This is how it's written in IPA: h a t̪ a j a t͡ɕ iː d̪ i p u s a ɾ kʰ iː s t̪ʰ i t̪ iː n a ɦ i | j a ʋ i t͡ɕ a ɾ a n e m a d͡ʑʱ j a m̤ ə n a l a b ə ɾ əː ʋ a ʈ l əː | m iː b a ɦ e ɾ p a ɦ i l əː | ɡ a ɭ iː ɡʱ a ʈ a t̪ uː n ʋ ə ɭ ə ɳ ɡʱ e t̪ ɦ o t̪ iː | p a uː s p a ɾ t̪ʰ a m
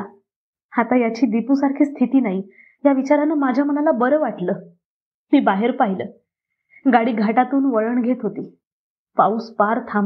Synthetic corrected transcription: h a t̪ a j a t͡ɕ iː d̪ i p u s a ɾ kʰ iː s t̪ʰ i t̪ iː n a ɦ i | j a ʋ i t͡ɕ a ɾ a n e m a d͡ʑʱ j a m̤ ə n a l a b ə ɾ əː ʋ a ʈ l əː | m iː b a ɦ e ɾ p a ɦ i l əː | ɡ a ɽ iː ɡʱ a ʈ a t̪ uː n ʋ ə ɭ ə ɳ ɡʱ e t̪ ɦ o t̪ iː | p a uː s p a ɾ t̪ʰ a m